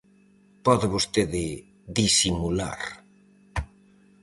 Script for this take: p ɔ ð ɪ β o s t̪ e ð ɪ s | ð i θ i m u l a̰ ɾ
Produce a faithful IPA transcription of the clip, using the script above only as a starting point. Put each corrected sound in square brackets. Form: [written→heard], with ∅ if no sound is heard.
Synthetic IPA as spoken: p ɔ ð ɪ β o s t̪ e ð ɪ [s→∅] | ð i [θ→s] i m u l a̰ ɾ

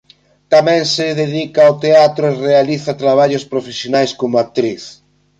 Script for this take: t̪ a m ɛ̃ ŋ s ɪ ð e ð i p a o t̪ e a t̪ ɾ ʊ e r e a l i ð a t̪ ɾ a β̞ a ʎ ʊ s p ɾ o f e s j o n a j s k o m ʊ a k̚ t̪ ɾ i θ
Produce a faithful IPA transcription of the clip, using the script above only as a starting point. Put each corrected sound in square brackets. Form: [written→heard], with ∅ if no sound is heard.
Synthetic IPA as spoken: t̪ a m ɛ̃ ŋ s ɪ ð e ð i [p→k] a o t̪ e a t̪ ɾ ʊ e r e a l i [ð→θ] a t̪ ɾ a β̞ a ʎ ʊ s p ɾ o f e s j o n a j s k o m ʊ a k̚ t̪ ɾ i θ

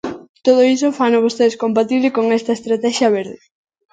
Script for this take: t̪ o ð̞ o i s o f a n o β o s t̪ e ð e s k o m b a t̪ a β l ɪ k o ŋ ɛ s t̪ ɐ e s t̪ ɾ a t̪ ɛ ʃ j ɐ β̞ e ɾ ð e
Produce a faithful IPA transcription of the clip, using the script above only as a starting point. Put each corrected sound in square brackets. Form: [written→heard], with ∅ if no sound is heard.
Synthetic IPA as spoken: t̪ o ð̞ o i s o f a n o β o s t̪ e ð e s k o m [b→p] a t̪ [a→i] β l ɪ k o ŋ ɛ s t̪ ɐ e s t̪ ɾ a t̪ ɛ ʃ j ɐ β̞ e ɾ ð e

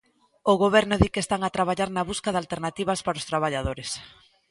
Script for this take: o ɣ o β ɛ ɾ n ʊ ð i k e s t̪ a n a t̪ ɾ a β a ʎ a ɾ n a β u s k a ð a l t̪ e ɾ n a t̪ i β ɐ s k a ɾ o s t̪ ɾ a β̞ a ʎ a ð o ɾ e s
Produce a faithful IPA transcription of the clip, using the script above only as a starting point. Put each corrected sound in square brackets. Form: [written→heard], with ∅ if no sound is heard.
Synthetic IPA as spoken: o ɣ o β ɛ ɾ n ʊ ð i k e s t̪ a [n→ŋ] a t̪ ɾ a β a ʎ a ɾ n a β u s k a ð a l t̪ e ɾ n a t̪ i β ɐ s [k→p] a ɾ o s t̪ ɾ a β̞ a ʎ a ð o ɾ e s

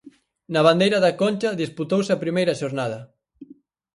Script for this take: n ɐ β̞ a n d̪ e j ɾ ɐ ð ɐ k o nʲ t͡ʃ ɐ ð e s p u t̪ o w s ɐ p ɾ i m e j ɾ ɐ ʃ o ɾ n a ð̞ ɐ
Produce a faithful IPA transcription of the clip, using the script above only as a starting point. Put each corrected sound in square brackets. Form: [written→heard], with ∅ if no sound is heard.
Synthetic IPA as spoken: n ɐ β̞ a n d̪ e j ɾ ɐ ð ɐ k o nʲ t͡ʃ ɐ ð [e→i] s p u t̪ o w s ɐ p ɾ i m e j ɾ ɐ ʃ o ɾ n a ð̞ ɐ

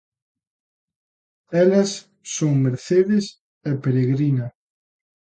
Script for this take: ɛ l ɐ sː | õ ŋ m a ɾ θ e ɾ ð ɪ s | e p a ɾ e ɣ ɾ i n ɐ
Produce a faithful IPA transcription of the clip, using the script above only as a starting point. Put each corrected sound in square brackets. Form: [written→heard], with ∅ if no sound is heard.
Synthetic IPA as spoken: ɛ l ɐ sː | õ ŋ m [a→e] ɾ θ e [ɾ→∅] ð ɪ s | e p [a→e] ɾ e ɣ ɾ i n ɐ

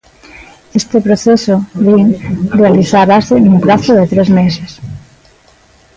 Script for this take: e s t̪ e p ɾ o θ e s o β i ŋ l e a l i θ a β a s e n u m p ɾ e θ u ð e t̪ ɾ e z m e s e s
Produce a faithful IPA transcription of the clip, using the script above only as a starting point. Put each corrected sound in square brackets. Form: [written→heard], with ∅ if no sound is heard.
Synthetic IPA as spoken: e s t̪ e p ɾ o θ e s o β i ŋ [l→r] e a l i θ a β a s e n u m p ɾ [e→a] θ [u→o] ð e t̪ ɾ e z m e s e s

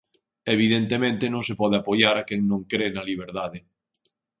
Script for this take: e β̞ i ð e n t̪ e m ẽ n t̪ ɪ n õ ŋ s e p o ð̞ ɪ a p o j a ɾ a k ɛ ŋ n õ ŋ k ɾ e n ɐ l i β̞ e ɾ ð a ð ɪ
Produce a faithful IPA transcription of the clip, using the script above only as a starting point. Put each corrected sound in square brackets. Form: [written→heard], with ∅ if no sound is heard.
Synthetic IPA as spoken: e β̞ i ð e n t̪ e m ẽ n t̪ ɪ n õ ŋ s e p [o→ɔ] ð̞ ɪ a p o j a ɾ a k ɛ ŋ n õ ŋ k ɾ e n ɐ l i β̞ e ɾ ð a ð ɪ

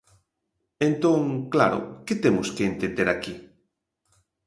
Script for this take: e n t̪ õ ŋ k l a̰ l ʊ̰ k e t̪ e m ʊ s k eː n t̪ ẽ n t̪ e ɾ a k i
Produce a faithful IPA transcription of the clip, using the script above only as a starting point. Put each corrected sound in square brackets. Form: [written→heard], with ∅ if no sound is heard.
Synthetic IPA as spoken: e n t̪ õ ŋ k l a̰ [l→ɾ] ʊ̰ k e t̪ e m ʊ s k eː n t̪ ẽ n [t̪→d̪] e ɾ a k i

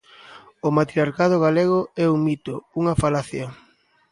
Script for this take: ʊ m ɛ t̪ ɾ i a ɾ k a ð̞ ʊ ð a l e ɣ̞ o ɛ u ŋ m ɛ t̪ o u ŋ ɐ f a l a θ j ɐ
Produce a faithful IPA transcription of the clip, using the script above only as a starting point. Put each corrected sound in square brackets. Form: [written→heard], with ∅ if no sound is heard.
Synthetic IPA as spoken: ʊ m [ɛ→a] t̪ ɾ i a ɾ k a ð̞ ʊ [ð→ɣ] a l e ɣ̞ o ɛ u ŋ m [ɛ→i] t̪ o u ŋ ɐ f a l a θ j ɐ

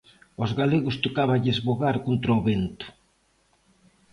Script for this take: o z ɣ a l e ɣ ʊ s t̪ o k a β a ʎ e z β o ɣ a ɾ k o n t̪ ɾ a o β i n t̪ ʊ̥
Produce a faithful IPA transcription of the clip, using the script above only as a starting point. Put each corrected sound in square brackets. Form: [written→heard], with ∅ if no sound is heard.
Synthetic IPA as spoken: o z ɣ a l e ɣ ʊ s t̪ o k a β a ʎ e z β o ɣ a ɾ k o n t̪ ɾ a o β [i→e] n t̪ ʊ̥

